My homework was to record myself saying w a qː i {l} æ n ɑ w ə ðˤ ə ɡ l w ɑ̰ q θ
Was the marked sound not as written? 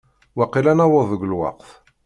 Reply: no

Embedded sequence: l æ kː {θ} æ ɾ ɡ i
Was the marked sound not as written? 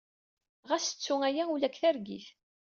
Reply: no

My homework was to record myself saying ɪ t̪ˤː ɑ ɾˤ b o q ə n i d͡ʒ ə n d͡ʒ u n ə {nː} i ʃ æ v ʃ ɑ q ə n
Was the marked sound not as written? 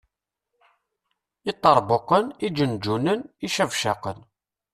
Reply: yes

